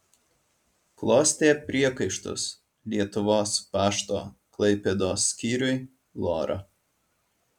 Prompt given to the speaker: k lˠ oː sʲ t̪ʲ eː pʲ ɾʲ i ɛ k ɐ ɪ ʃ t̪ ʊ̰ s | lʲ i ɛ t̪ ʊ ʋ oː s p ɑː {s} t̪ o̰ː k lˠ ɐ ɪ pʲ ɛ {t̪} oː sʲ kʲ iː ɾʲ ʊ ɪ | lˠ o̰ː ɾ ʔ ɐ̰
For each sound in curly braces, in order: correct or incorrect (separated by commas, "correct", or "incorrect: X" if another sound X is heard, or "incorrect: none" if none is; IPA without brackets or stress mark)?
incorrect: ʃ, incorrect: d̪